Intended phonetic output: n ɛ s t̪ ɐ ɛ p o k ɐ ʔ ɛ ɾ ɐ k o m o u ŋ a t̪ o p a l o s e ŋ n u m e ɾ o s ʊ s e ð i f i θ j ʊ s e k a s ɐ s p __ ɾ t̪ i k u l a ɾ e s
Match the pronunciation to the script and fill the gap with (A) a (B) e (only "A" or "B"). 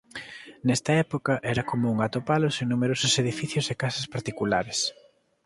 A